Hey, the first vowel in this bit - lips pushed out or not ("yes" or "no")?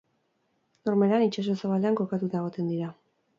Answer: yes